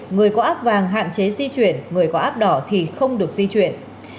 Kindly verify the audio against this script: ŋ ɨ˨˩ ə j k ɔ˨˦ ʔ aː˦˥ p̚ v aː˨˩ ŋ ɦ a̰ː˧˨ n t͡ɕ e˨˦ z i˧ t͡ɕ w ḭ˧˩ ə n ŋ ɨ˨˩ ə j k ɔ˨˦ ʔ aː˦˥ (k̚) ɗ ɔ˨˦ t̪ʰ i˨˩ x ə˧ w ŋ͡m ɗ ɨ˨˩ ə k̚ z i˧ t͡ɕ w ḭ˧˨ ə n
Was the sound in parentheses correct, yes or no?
no